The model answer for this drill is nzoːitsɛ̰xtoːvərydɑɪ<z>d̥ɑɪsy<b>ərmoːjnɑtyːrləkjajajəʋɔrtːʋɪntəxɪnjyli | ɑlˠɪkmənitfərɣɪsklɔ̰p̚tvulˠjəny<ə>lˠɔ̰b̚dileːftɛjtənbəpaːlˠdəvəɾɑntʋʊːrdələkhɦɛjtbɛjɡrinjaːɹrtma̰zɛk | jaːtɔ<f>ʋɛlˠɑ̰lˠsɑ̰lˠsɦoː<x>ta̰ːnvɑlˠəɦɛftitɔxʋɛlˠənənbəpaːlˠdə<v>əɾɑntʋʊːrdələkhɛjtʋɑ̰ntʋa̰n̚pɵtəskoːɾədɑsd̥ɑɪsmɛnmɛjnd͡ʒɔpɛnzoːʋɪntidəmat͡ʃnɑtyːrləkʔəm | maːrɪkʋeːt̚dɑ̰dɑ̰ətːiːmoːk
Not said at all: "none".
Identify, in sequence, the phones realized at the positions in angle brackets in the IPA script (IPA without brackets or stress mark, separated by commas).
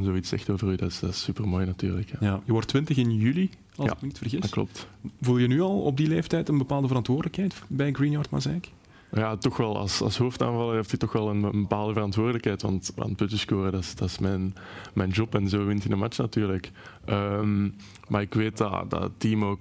s, p, ɑ, x, f, v